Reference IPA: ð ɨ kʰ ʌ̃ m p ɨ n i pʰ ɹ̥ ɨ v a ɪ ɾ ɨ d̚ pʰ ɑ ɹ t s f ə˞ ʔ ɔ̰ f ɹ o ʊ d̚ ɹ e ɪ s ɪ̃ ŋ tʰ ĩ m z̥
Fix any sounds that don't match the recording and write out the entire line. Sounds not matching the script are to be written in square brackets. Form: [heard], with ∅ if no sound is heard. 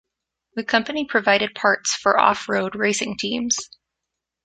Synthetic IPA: ð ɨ kʰ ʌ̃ m p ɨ n i pʰ ɹ̥ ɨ v a ɪ ɾ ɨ d̚ pʰ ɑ ɹ t s f ə˞ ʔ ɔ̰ f ɹ o ʊ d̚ ɹ e ɪ s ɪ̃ ŋ tʰ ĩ m z̥